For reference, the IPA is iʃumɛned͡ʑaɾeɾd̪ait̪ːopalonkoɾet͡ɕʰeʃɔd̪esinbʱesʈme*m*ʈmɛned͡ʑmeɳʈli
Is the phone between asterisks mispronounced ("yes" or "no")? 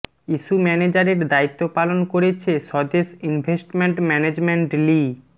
yes